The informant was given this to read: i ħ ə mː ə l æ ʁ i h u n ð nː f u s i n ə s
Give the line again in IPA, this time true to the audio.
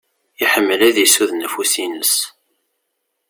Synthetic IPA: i ħ ə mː ə l æ ð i s u ð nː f u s i n ə s